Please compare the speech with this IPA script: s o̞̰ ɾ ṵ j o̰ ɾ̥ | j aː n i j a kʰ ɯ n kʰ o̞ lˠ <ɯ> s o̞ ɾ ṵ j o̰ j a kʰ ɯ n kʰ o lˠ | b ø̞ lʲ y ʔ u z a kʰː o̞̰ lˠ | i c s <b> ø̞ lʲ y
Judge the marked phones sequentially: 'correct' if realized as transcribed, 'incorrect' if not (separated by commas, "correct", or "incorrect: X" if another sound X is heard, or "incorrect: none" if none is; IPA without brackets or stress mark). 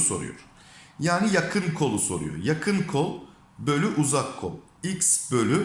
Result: incorrect: u, correct